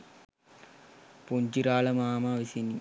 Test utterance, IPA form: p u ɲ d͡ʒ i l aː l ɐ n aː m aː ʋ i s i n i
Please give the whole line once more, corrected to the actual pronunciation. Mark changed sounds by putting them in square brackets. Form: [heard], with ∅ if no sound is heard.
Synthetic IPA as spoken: p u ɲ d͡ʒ i [ɾ] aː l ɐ [m] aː m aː ʋ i s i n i